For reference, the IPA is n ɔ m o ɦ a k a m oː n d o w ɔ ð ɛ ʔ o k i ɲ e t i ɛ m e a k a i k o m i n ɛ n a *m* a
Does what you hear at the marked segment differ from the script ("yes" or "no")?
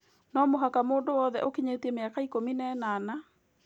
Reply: yes